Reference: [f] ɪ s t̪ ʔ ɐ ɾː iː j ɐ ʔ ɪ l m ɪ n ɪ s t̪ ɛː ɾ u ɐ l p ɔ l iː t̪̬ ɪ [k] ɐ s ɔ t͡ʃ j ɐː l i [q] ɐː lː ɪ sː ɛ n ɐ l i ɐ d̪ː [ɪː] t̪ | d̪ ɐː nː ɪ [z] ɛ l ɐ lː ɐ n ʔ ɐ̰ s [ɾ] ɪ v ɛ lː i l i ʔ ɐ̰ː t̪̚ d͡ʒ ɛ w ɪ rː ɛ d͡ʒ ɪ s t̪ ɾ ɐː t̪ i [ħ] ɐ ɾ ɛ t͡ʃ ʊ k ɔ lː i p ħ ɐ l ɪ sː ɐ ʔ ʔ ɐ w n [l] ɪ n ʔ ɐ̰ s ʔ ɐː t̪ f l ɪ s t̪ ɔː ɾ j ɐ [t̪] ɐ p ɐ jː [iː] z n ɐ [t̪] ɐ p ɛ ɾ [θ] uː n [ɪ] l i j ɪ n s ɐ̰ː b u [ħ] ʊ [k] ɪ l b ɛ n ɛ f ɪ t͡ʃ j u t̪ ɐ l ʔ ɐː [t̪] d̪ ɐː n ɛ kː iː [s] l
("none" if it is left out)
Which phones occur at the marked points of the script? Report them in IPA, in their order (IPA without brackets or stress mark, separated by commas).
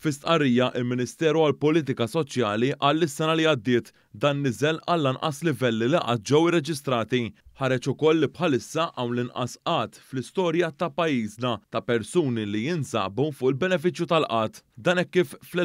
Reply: f, k, ʔ, ɪː, z, l, ħ, l, t̪, iː, t̪, s, i, f, ʔ, t̪, f